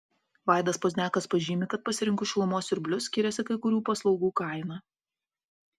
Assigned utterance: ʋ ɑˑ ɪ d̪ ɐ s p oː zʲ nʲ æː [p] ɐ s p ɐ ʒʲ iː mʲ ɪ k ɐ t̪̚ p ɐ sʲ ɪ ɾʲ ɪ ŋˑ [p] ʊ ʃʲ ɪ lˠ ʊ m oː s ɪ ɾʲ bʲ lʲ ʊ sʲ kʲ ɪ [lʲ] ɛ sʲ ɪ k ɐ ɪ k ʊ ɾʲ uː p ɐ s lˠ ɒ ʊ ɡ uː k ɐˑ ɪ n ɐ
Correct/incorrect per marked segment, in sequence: incorrect, incorrect, incorrect

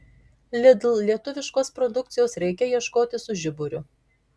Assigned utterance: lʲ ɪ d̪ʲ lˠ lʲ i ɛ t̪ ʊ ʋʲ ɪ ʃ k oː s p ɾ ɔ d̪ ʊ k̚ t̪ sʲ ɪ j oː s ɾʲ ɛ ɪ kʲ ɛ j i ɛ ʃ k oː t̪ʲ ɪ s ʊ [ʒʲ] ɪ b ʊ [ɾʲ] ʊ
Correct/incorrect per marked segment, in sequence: correct, correct

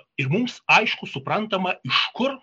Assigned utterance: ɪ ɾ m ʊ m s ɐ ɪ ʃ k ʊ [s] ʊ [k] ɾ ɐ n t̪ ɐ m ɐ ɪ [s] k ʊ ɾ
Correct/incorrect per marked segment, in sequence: correct, incorrect, incorrect

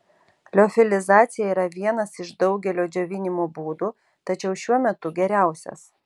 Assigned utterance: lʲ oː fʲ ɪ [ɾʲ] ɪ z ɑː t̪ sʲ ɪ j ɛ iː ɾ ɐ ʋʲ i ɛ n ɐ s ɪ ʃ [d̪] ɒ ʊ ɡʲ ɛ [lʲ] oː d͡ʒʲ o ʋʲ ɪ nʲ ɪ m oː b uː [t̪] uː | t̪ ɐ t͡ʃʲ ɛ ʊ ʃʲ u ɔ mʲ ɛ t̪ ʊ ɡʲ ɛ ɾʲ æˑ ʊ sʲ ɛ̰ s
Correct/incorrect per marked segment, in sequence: incorrect, correct, correct, incorrect

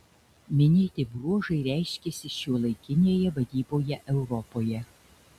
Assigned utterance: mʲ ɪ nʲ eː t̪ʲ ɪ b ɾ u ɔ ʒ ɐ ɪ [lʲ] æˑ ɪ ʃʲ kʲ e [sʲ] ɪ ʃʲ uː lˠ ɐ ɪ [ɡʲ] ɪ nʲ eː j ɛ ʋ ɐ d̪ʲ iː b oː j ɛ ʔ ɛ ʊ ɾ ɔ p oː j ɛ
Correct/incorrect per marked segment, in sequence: incorrect, correct, incorrect

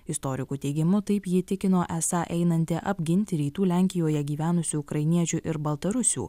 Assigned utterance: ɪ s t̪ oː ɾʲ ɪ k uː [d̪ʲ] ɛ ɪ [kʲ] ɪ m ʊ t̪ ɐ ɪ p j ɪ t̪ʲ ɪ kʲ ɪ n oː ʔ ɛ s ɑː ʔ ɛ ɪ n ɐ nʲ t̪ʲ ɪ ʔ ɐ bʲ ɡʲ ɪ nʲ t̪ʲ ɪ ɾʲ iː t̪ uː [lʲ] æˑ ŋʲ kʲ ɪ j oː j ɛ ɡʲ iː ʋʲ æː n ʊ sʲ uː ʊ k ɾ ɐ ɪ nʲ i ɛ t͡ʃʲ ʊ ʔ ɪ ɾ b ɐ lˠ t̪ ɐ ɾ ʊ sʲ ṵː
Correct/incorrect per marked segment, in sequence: incorrect, incorrect, correct

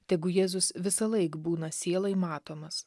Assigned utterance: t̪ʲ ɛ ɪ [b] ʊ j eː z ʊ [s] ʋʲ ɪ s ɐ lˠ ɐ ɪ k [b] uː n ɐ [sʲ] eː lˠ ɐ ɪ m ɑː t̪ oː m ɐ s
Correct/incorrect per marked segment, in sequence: incorrect, correct, correct, correct

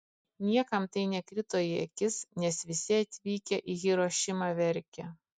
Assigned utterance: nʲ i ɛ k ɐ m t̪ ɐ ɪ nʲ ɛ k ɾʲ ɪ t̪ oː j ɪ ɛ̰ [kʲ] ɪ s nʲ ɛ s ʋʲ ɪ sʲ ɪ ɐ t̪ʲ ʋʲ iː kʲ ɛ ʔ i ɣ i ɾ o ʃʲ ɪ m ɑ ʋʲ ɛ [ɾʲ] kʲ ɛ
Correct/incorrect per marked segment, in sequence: correct, correct

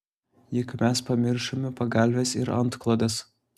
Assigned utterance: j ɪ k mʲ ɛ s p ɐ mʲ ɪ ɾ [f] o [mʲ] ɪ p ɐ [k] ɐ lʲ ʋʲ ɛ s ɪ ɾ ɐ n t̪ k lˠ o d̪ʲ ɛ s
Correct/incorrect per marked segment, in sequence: incorrect, correct, incorrect

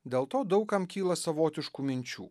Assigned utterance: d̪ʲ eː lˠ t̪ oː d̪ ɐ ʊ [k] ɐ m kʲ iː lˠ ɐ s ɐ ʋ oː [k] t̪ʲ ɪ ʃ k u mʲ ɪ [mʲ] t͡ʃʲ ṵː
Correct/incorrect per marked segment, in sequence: correct, incorrect, incorrect

